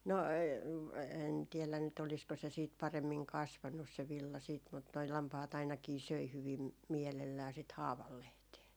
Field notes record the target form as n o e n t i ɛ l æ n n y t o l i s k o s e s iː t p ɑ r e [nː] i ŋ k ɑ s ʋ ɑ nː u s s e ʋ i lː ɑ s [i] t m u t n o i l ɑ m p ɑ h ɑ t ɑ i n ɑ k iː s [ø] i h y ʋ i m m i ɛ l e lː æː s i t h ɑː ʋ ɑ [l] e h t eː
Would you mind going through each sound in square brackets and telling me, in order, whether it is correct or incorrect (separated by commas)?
incorrect, incorrect, correct, incorrect